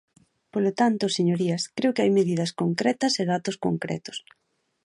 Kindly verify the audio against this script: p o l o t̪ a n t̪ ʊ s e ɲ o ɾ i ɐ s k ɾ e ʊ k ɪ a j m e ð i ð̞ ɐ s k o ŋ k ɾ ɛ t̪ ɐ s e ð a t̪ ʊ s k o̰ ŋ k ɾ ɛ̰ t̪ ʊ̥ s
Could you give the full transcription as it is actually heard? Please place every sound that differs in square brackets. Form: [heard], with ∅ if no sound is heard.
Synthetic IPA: p o l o t̪ a n t̪ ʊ s e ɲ o ɾ i ɐ s k ɾ e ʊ k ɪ a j m e ð i ð̞ ɐ s k o ŋ k ɾ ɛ t̪ ɐ s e ð a t̪ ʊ s k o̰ ŋ k ɾ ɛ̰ t̪ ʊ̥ s